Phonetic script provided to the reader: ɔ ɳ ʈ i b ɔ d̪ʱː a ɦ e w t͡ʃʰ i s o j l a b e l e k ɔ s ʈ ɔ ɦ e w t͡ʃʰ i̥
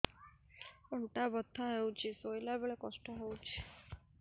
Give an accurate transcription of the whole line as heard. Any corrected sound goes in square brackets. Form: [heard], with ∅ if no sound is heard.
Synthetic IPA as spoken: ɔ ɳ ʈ [a] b ɔ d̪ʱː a ɦ e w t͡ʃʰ i s o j l a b e [ɭ] e k ɔ s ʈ ɔ ɦ e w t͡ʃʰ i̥